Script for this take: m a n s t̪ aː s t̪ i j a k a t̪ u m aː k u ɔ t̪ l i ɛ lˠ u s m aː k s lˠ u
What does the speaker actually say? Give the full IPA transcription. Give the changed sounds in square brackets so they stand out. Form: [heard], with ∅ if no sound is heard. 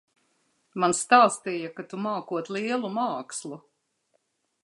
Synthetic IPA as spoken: m a n s t̪ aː s t̪ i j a k a t̪ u m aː k u ɔ t̪ l i ɛ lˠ u [∅] m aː k s lˠ u